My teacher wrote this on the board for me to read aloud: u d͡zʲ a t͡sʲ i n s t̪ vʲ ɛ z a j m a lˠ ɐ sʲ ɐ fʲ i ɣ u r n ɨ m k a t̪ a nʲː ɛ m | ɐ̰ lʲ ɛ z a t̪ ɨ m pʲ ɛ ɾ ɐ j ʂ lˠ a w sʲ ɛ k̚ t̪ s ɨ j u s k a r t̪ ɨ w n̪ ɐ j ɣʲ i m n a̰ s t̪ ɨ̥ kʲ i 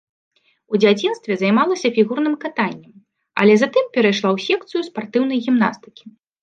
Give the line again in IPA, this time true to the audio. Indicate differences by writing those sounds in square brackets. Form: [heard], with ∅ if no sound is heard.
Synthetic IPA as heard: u d͡zʲ a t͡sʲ i n s t̪ vʲ ɛ z a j m a lˠ ɐ sʲ ɐ fʲ i ɣ u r n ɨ m k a t̪ a nʲː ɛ m | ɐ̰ lʲ ɛ z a t̪ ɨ m pʲ ɛ ɾ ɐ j ʂ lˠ a w sʲ ɛ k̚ t̪ s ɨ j u s [p] a r t̪ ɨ w n̪ ɐ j ɣʲ i m n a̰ s t̪ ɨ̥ kʲ i